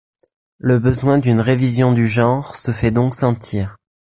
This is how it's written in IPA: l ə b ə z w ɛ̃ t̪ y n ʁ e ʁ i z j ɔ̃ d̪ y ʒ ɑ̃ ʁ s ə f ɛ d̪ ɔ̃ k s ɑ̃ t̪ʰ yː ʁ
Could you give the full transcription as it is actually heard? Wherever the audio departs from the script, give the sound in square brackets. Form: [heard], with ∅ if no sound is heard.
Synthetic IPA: l ə b ə z w ɛ̃ [d̪] y n ʁ e [v] i z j ɔ̃ d̪ y ʒ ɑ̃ ʁ s ə f ɛ d̪ ɔ̃ k s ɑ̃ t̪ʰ [iː] ʁ